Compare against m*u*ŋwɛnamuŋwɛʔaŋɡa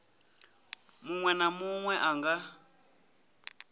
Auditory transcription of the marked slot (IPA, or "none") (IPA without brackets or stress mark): u